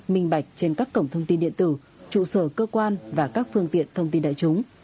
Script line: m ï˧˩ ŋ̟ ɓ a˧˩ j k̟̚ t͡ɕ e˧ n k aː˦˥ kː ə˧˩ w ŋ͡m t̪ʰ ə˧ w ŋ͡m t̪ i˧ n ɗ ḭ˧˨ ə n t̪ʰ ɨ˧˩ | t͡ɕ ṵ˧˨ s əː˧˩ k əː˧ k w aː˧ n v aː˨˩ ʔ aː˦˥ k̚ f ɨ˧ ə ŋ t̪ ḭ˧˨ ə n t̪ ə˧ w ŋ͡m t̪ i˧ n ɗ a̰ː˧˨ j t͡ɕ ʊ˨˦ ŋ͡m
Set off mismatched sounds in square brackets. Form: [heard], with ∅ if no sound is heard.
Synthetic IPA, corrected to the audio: m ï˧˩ ŋ̟ ɓ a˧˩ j k̟̚ t͡ɕ e˧ n k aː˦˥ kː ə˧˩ w ŋ͡m t̪ʰ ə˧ w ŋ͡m t̪ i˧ n ɗ ḭ˧˨ ə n [t̪] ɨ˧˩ | t͡ɕ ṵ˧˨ s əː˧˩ k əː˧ k w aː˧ n v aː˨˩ [k] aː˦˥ k̚ f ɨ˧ ə ŋ t̪ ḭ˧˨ ə n [t̪ʰ] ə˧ w ŋ͡m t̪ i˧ n ɗ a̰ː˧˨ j t͡ɕ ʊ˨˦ ŋ͡m